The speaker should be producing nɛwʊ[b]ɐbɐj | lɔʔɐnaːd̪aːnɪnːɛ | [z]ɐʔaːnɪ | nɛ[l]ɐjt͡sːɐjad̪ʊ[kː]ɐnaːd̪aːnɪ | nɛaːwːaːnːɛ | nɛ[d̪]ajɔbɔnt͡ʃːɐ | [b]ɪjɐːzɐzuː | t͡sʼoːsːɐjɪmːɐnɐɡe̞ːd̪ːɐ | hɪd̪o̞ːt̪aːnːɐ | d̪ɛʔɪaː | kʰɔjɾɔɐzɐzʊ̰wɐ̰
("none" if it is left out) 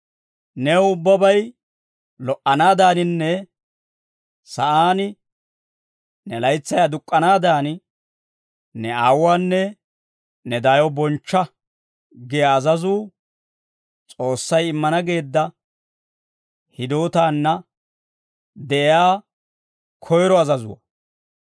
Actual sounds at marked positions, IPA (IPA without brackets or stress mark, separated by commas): bː, s, l, kʼː, d̪, ɡ